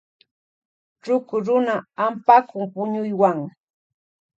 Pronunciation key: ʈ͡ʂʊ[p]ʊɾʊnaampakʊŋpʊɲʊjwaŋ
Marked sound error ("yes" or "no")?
yes